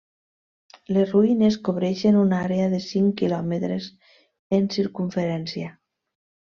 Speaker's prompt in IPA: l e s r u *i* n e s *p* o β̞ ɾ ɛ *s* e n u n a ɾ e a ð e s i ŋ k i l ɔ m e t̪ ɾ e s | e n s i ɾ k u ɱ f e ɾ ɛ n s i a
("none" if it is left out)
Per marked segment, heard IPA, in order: i, k, ʃ

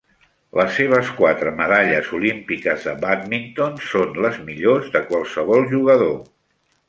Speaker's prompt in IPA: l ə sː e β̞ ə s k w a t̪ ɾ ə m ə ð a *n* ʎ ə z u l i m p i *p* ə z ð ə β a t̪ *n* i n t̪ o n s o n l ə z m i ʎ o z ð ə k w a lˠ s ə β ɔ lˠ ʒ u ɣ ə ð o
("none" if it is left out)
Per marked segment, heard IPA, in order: none, k, m

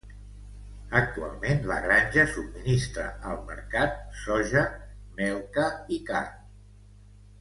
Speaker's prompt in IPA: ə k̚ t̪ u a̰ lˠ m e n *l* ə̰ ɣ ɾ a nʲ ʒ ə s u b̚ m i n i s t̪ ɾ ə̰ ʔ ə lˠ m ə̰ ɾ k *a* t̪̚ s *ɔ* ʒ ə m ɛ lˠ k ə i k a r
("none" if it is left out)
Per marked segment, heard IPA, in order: l, a, ɔ

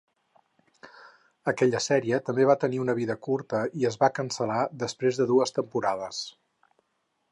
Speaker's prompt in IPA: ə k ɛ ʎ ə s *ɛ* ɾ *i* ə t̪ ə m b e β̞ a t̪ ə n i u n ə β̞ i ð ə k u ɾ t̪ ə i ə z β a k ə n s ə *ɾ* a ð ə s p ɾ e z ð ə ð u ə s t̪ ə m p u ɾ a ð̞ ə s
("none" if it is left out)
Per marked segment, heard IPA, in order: ɛ, i, l

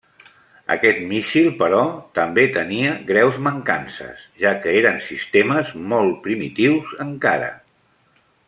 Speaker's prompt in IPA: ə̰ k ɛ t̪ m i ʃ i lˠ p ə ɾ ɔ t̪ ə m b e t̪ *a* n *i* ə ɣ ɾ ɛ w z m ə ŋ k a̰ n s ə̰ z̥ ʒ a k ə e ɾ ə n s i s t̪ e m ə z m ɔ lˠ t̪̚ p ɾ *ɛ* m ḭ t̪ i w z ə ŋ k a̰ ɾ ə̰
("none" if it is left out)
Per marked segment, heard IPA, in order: ə, i, i

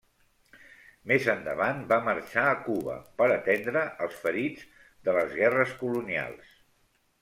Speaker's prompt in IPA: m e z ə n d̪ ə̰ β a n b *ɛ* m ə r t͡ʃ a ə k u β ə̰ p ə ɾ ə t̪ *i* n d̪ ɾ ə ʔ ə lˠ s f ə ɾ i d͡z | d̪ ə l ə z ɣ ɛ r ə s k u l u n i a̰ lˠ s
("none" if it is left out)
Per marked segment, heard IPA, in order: a, ɛ

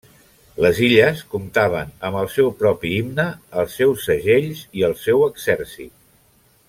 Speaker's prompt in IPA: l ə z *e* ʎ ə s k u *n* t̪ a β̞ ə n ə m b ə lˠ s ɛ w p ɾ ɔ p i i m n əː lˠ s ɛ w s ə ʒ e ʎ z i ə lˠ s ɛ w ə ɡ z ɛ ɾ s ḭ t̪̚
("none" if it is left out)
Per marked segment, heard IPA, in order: i, m

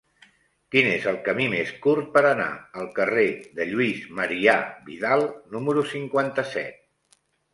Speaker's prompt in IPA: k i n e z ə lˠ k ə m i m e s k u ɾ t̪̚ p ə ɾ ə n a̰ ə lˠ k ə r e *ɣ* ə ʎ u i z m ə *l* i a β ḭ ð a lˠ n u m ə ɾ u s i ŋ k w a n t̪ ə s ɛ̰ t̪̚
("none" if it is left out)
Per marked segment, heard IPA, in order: ð, ɾ

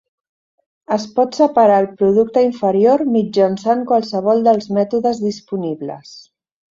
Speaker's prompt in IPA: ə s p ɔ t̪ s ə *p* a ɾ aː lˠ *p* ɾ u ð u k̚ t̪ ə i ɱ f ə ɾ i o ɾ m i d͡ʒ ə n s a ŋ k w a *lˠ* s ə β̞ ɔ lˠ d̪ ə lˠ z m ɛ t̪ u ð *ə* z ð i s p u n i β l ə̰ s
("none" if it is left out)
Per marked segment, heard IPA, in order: p, p, lˠ, ə

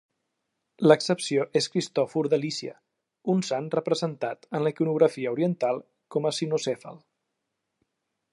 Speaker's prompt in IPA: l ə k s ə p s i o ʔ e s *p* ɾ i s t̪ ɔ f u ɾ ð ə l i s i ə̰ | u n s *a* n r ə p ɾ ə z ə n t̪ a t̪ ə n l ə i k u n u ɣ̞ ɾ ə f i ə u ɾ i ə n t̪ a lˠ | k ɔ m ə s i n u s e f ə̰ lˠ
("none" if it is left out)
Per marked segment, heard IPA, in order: k, a

